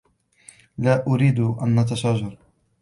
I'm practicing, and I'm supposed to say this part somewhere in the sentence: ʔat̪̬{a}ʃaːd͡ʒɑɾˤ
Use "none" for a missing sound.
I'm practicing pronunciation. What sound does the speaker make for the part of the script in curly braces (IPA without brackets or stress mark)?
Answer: a